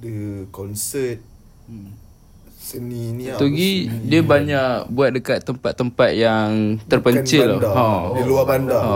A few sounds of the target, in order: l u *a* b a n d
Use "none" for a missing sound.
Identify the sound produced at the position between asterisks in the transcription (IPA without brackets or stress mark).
a